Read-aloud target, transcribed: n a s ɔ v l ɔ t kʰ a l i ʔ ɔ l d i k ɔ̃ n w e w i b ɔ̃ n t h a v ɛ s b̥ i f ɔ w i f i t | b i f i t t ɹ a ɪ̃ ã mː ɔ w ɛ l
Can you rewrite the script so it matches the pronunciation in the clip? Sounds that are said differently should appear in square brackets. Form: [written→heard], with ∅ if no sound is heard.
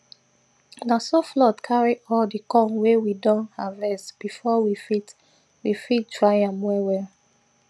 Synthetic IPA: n a s ɔ [v→f] l ɔ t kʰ a [l→ɹ] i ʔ ɔ l d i k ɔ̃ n w e w i [b→d] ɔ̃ n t h a v ɛ s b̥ i f ɔ w i f i t | [b→w] i f i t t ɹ a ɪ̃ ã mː ɔ w ɛ l